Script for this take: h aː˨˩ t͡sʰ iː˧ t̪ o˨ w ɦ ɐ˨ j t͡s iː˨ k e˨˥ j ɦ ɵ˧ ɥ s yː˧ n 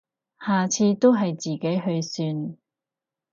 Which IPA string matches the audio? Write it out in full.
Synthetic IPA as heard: h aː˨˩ t͡sʰ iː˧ t̪ o˥ w ɦ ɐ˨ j t͡s iː˨ k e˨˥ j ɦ ɵ˧ ɥ s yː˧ n